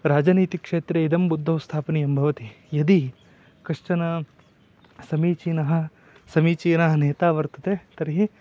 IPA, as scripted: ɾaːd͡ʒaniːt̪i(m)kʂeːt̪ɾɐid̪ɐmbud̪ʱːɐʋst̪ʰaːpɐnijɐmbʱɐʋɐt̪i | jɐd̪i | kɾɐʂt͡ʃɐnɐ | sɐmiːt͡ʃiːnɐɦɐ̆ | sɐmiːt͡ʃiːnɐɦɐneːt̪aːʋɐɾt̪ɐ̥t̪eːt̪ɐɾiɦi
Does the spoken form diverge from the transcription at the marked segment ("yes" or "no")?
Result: yes